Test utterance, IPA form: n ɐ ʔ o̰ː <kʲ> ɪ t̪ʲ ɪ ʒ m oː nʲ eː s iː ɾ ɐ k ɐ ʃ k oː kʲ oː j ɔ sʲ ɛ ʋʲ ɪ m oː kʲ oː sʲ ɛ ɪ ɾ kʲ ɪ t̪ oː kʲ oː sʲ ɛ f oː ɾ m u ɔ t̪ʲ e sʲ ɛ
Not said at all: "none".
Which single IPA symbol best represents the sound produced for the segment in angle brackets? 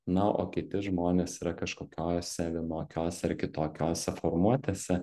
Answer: kʲ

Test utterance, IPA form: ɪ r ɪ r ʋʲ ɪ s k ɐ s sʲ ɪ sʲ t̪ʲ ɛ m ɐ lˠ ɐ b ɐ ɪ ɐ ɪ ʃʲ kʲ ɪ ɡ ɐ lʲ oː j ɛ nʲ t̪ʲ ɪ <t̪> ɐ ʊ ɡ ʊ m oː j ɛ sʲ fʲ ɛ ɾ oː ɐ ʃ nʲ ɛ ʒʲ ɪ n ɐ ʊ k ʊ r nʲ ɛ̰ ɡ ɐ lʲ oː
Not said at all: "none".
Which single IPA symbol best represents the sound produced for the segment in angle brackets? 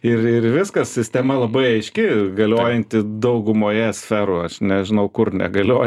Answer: d̪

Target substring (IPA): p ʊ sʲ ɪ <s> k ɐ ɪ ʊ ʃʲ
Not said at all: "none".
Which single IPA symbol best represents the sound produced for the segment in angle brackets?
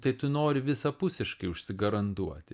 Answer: ʃ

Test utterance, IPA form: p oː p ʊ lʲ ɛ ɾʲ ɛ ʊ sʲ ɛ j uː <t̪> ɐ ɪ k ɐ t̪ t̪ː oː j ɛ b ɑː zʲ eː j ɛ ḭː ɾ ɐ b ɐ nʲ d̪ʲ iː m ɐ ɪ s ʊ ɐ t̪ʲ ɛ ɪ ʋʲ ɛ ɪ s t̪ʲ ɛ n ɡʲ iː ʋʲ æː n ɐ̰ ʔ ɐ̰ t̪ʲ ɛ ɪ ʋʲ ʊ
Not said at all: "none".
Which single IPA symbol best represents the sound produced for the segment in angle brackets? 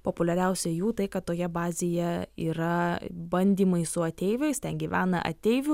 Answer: t̪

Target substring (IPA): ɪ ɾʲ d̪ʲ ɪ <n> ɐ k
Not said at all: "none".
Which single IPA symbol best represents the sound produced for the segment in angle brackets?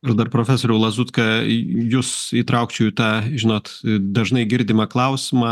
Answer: m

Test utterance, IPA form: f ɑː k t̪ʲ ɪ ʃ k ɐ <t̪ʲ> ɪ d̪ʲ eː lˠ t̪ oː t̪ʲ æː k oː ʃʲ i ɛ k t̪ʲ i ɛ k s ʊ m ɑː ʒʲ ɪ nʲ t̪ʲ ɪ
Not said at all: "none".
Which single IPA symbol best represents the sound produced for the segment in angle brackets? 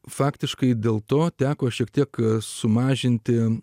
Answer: none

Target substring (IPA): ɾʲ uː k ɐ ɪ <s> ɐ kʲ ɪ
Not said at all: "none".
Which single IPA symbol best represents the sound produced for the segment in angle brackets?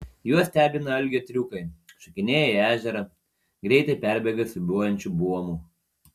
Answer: ʃ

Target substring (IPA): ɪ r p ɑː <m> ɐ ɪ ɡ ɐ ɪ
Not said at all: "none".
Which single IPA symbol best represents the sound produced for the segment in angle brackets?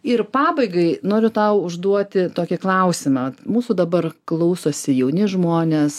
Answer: b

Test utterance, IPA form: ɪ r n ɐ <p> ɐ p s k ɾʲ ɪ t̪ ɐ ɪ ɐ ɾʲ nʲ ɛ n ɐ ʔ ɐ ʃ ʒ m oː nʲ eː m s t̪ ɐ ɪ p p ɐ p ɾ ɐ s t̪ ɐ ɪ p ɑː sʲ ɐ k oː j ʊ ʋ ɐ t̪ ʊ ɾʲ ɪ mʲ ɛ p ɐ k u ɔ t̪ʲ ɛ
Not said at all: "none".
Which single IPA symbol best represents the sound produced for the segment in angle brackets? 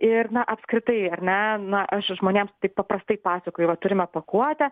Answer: ʔ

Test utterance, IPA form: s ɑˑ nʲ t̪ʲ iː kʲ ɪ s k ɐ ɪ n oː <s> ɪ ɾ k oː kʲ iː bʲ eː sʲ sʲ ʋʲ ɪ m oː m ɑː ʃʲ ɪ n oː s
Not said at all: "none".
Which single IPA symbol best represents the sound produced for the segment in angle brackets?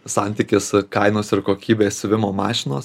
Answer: s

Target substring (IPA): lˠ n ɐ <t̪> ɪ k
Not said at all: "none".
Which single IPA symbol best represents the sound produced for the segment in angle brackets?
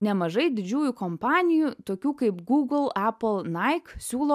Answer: none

